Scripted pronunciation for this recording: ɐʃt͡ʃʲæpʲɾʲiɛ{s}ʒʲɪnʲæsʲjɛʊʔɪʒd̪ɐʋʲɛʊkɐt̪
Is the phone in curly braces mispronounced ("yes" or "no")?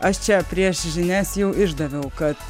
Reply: yes